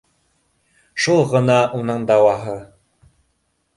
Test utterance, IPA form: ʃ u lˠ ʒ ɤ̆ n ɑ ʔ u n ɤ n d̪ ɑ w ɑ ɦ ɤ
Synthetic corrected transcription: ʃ u lˠ ʁ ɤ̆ n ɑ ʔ u n ɤ ɴ d̪ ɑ w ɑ ɦ ɤ